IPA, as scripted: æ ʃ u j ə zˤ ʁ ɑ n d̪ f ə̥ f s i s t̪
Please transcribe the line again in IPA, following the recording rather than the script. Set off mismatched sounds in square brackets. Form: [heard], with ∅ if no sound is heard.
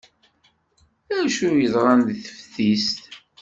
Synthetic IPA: æ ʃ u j ə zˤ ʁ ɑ n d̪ [θ] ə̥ f [θ] i s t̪

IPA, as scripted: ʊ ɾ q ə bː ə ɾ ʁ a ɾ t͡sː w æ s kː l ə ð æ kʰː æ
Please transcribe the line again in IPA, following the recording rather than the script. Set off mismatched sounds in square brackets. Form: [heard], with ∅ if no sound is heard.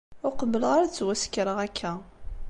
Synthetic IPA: ʊ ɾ q ə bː ə [l] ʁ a ɾ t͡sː w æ s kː [ɾ] ə [ʁ] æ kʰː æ

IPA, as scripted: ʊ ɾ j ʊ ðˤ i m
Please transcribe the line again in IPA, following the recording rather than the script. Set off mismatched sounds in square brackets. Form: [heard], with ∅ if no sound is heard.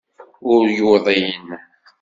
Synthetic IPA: ʊ ɾ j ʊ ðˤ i [n]

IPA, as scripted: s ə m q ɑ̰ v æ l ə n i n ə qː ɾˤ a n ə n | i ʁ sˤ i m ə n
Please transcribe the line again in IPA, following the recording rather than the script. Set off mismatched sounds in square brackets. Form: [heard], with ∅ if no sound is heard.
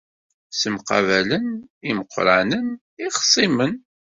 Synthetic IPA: s ə m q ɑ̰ v æ l ə n i [m] ə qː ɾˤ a n ə n | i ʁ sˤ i m ə n

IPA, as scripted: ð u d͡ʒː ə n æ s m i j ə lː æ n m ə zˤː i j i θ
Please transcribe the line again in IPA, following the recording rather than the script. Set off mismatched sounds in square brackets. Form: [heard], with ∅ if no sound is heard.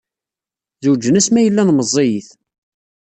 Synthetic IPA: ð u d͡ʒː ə n æ s m [æ] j ə lː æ n m ə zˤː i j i θ

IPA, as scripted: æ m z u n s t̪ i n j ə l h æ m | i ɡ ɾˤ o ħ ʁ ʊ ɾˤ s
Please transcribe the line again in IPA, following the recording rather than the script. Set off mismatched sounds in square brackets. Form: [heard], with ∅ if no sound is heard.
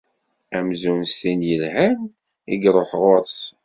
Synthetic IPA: æ m z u n s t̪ i n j ə l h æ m | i ɡ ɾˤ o ħ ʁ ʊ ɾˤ s

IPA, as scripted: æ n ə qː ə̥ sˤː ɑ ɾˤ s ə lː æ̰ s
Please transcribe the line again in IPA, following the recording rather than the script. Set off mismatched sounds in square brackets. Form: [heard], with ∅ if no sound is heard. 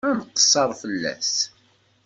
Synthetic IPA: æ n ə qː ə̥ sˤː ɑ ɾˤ [f] ə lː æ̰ s

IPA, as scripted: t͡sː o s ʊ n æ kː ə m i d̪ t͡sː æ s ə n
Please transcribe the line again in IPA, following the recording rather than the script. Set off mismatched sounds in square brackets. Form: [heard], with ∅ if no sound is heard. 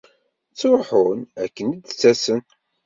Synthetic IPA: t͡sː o [ħ] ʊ n æ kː ə [n] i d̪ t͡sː æ s ə n

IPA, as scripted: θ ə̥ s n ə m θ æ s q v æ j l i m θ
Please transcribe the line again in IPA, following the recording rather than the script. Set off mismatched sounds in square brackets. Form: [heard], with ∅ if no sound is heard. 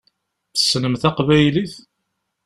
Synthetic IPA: θ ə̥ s n ə m θ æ [∅] q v æ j l i [∅] θ

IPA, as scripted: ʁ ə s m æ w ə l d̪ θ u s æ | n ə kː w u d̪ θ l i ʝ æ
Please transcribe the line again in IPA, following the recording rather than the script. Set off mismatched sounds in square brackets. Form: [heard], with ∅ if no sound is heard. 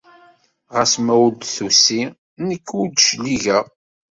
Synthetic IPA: ʁ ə s m æ w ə l d̪ θ u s [i] | n ə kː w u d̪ [ʃ] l i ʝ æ

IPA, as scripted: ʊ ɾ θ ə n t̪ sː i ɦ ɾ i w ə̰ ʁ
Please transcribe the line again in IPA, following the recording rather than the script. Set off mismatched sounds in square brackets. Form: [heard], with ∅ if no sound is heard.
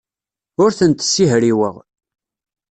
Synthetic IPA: ʊ ɾ θ ə n t̪ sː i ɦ ɾ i w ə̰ ʁ

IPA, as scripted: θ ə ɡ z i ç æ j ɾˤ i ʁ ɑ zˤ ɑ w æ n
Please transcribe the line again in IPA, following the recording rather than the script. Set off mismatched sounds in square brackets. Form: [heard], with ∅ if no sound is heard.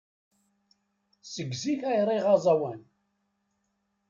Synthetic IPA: [s] ə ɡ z i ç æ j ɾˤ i ʁ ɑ zˤ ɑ w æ n

